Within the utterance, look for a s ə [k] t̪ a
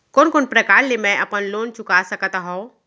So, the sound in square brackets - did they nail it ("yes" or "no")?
yes